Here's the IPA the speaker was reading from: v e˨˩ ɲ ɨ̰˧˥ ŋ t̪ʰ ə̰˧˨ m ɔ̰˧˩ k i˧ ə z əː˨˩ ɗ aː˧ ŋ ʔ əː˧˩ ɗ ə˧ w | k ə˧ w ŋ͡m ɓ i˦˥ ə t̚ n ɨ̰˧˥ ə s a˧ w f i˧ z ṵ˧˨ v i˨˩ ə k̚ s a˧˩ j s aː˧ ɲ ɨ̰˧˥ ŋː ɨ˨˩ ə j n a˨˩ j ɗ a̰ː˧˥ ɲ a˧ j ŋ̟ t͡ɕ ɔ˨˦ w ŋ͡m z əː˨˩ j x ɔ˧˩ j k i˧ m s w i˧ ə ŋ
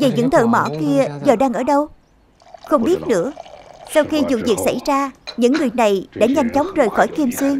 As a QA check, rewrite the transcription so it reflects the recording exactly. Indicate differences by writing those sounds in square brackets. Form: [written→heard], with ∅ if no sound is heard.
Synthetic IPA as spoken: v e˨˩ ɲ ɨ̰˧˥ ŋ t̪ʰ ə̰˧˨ m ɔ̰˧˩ k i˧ ə z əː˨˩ ɗ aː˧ ŋ ʔ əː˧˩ ɗ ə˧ w | [k→x] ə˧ w ŋ͡m ɓ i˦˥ ə t̚ n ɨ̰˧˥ ə s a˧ w [f→x] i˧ z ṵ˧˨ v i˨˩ ə k̚ s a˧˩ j [s→z] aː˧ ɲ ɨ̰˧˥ ŋː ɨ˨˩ ə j n a˨˩ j ɗ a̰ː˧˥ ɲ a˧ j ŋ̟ t͡ɕ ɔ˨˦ w ŋ͡m z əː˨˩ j x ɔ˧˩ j k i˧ m s w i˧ ə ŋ

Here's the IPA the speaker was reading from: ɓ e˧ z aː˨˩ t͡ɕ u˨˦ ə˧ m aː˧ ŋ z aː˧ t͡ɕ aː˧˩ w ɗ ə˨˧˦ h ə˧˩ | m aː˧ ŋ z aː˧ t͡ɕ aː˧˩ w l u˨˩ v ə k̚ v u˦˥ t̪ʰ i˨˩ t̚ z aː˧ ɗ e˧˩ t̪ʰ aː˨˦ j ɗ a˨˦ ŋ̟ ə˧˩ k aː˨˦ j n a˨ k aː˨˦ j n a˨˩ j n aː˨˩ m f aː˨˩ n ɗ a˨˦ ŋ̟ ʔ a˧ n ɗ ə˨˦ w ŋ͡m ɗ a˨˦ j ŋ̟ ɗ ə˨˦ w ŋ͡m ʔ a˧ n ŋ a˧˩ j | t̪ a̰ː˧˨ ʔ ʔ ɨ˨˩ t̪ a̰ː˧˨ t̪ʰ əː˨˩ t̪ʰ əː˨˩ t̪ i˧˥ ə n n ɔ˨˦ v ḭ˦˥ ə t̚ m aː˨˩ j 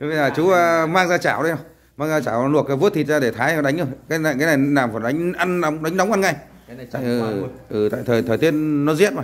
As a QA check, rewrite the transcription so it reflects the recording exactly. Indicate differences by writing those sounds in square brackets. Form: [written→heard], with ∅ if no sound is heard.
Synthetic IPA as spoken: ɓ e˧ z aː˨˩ t͡ɕ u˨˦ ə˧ m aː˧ ŋ z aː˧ t͡ɕ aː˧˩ w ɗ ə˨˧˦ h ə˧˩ | m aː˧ ŋ z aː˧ t͡ɕ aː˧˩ w l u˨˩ [v→∅] ə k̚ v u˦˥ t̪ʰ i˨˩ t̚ z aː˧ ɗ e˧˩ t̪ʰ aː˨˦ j ɗ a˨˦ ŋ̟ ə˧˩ k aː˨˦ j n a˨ k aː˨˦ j n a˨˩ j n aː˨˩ m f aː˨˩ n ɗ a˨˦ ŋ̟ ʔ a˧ n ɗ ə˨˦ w ŋ͡m ɗ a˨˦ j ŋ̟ ɗ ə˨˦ w ŋ͡m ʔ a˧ n ŋ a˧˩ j | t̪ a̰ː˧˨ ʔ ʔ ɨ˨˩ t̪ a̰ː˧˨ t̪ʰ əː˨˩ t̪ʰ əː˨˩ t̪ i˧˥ ə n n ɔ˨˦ [v→z] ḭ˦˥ ə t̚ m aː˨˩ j

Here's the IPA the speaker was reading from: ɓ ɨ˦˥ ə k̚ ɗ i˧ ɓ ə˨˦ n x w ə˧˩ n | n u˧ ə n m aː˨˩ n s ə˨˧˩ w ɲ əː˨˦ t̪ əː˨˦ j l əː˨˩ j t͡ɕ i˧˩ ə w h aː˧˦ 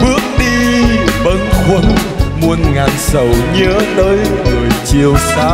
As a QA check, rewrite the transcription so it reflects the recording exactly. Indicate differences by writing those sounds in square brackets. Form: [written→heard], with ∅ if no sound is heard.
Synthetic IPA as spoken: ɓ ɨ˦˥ ə k̚ ɗ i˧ ɓ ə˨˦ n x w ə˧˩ n | [n→m] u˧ ə n [m→ŋ] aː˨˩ n s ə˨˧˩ w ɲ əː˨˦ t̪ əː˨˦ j l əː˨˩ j t͡ɕ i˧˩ ə w [h→s] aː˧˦

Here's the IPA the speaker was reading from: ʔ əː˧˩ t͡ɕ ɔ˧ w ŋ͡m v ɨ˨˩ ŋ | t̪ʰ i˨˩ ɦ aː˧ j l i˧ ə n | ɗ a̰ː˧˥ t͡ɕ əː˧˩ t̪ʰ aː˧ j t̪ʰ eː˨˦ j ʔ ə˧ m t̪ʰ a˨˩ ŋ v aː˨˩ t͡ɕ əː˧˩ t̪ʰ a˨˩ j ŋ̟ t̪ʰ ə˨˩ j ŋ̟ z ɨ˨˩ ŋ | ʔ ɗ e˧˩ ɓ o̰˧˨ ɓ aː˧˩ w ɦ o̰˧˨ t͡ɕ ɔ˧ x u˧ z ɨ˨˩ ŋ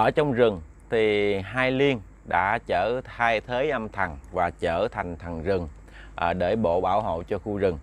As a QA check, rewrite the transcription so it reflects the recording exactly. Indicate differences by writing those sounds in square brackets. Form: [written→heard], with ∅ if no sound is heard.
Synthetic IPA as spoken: ʔ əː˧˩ t͡ɕ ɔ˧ w ŋ͡m [v→z] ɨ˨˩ ŋ | t̪ʰ i˨˩ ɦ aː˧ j l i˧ ə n | ɗ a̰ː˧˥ t͡ɕ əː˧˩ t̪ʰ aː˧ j t̪ʰ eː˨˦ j ʔ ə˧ m t̪ʰ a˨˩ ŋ v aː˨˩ t͡ɕ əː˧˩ t̪ʰ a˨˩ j ŋ̟ t̪ʰ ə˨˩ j ŋ̟ z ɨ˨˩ ŋ | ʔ ɗ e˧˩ ɓ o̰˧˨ ɓ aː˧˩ w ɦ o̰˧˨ t͡ɕ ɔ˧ x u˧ z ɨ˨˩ ŋ

